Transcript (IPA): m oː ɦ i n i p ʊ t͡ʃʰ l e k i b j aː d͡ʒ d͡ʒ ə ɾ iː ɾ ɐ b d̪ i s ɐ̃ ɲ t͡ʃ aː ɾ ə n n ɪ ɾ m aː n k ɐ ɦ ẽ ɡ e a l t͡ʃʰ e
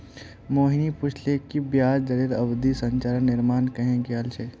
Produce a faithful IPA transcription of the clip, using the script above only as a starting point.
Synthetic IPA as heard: m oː ɦ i n i p ʊ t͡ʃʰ l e k i b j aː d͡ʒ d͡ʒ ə ɾ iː ɾ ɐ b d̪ i s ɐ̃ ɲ t͡ʃ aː ɾ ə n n ɪ ɾ m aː n k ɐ ɦ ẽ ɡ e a l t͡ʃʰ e

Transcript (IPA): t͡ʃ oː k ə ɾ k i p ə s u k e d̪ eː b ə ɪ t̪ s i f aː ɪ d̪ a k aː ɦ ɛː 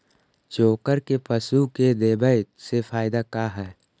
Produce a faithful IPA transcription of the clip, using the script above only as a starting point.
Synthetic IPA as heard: t͡ʃ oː k ə ɾ k e p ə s u k e d̪ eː b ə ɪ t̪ s e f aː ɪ d̪ a k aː ɦ ɛː

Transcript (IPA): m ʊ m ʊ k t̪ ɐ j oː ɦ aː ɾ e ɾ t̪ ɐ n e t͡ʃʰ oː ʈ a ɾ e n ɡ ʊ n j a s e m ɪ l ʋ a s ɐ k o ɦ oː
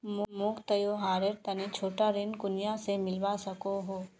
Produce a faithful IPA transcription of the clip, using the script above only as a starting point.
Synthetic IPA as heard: m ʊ m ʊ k t̪ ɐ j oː ɦ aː ɾ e ɾ t̪ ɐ n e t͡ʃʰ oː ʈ a ɾ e n k ʊ n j a s e m ɪ l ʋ a s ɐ k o ɦ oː

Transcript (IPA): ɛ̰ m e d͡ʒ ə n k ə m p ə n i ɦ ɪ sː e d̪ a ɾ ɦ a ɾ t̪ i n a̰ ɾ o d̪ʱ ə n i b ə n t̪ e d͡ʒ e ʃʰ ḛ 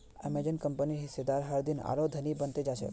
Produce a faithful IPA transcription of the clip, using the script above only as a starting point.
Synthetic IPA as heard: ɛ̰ m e d͡ʒ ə n k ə m p ə n i ɦ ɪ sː e d̪ a ɾ ɦ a ɾ d̪ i n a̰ ɾ o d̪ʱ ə n i b ə n t̪ e d͡ʒ a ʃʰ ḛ

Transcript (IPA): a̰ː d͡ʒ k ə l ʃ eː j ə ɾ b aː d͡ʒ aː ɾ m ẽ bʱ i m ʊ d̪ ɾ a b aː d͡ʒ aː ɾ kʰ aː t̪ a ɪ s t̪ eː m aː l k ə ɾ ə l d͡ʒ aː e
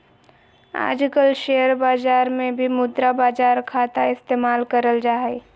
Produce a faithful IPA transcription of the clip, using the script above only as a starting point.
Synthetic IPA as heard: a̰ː d͡ʒ k ə l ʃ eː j ə ɾ b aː d͡ʒ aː ɾ m ẽ bʱ i m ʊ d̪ ɾ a b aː d͡ʒ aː ɾ kʰ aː t̪ a ɪ s t̪ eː m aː l k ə ɾ ə l d͡ʒ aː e

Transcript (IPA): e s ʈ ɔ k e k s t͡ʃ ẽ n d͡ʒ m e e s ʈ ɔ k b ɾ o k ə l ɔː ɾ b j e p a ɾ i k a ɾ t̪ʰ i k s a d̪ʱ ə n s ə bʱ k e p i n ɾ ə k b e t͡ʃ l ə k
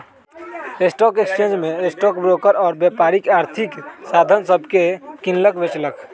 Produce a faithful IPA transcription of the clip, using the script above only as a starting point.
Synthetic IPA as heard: e s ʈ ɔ k e k s t͡ʃ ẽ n d͡ʒ m e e s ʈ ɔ k b ɾ o k ə ɾ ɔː ɾ b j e p a ɾ i k a ɾ t̪ʰ i k s a d̪ʱ ə n s ə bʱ k e k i n l ə k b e t͡ʃ l ə k

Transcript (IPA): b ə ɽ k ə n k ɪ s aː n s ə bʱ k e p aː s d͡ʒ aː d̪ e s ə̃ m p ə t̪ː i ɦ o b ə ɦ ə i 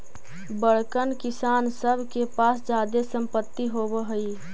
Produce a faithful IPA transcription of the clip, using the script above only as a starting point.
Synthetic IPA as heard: b ə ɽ k ə n k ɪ s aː n s ə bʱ k e p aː s d͡ʒ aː d̪ e s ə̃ m p ə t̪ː i ɦ o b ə ɦ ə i

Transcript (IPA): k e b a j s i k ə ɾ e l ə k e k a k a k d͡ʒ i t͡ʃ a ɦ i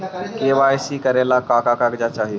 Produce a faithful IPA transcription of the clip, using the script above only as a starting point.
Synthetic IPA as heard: k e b a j s i k ə ɾ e l a k a k a k a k d͡ʒ a t͡ʃ a ɦ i

